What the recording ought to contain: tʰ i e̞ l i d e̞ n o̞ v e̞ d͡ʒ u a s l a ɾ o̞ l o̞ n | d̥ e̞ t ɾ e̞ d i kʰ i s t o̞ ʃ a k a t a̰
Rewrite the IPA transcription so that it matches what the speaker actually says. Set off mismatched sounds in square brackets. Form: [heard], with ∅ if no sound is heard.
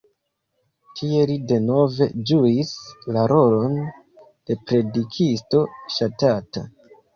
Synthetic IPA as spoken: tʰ i e̞ l i d e̞ n o̞ v e̞ d͡ʒ u [i] s l a ɾ o̞ l o̞ n | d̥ e̞ [p] ɾ e̞ d i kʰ i s t o̞ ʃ a [t] a t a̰